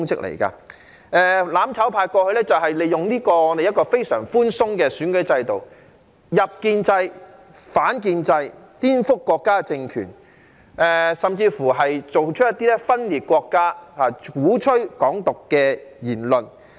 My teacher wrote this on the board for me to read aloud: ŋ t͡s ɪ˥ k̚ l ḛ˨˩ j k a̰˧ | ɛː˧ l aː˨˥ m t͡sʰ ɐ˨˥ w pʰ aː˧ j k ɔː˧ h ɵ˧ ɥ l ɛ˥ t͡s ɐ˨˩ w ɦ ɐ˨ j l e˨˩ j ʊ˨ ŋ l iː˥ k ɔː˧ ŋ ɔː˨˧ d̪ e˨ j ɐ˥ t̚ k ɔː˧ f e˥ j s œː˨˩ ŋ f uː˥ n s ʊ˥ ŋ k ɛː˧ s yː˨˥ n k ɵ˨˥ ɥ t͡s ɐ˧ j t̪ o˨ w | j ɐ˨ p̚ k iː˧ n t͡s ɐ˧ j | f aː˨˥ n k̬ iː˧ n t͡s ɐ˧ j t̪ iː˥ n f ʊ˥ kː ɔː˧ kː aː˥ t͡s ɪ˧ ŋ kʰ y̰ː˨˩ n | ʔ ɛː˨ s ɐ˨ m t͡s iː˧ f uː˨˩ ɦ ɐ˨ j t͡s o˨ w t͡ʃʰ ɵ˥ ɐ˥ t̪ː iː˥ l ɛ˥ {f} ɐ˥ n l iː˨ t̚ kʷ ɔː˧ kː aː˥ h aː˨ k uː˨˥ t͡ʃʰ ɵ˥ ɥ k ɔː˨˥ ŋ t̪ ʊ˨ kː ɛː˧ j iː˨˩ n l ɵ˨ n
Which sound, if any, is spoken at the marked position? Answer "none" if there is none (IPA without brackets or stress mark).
f